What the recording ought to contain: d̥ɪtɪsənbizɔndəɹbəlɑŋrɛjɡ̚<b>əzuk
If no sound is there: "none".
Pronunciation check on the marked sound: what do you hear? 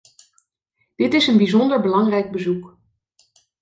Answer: b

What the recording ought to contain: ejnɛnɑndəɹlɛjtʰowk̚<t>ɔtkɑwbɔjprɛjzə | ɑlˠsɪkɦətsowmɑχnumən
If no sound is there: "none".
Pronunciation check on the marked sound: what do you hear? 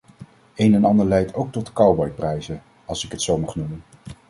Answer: t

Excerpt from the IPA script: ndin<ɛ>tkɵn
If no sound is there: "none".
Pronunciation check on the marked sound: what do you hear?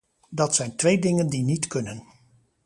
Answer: i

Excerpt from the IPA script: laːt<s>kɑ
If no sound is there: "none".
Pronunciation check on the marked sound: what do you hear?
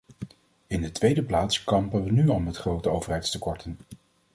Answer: s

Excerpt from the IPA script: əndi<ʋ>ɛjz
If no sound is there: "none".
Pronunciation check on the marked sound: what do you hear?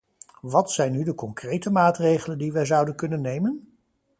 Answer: ʋ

